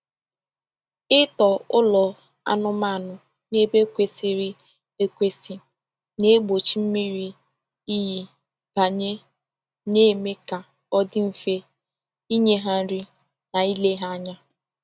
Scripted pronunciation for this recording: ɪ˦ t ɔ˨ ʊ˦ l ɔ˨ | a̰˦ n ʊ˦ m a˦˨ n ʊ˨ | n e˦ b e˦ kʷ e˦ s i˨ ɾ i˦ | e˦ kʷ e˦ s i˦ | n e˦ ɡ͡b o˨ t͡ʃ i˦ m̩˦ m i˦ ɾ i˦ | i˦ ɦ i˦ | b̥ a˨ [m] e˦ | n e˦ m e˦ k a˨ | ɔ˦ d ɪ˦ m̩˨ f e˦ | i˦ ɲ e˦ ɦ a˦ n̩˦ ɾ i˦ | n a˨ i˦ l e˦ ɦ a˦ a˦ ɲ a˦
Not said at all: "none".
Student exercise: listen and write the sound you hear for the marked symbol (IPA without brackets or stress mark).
ɲ